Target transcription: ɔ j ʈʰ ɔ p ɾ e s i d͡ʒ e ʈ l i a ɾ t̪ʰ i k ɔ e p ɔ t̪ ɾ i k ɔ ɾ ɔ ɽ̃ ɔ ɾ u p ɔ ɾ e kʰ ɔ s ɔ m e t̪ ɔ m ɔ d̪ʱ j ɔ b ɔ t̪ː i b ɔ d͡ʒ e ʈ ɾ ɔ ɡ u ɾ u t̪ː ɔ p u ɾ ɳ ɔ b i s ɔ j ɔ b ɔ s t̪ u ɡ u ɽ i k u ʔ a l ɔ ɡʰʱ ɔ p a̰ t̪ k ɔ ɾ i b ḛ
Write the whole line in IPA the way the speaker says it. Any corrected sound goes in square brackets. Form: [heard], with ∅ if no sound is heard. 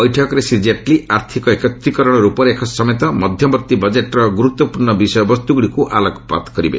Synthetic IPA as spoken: ɔ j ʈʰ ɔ [k] ɾ e s i d͡ʒ e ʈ l i a ɾ t̪ʰ i k ɔ e [k] ɔ t̪ ɾ i k ɔ ɾ ɔ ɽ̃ ɔ ɾ u p ɔ ɾ e kʰ ɔ s ɔ m e t̪ ɔ m ɔ d̪ʱ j ɔ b ɔ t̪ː i b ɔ d͡ʒ e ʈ ɾ ɔ ɡ u ɾ u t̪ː ɔ p u ɾ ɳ ɔ b i s ɔ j ɔ b ɔ s t̪ u ɡ u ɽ i k u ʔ a l ɔ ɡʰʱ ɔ p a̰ t̪ k ɔ ɾ i b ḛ